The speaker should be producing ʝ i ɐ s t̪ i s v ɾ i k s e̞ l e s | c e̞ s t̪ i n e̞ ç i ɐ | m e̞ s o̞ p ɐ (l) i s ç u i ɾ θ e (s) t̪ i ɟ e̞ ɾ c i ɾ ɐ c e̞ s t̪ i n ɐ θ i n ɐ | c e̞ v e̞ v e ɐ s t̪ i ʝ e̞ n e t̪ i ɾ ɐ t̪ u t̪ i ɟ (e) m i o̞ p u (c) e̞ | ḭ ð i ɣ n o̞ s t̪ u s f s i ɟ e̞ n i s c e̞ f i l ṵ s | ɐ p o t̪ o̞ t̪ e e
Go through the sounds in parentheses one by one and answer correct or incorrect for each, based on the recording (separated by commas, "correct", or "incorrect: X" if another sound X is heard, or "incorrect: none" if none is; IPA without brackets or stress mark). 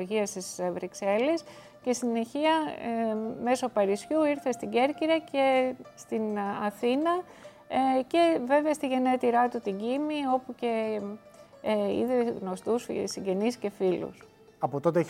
incorrect: ɾ, correct, incorrect: i, correct